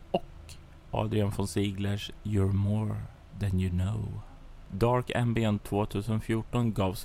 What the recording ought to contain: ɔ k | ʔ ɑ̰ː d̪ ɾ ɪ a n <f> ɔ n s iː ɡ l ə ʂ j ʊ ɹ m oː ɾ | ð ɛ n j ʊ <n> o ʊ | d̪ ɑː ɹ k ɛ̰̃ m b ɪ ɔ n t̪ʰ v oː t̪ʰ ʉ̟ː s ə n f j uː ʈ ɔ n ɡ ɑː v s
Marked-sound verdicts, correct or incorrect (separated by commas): correct, correct